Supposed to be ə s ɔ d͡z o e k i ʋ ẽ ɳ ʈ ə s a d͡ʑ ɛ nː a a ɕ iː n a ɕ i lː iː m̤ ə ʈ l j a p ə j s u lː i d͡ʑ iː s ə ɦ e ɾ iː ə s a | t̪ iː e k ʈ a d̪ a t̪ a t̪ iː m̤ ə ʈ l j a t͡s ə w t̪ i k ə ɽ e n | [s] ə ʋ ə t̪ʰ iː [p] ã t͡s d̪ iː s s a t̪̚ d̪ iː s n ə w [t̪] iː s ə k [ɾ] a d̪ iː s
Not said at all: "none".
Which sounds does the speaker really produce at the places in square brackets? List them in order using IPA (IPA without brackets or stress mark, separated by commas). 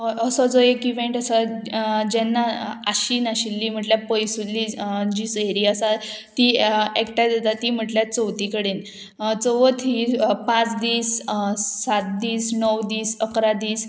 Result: t͡s, p, d̪, ɾ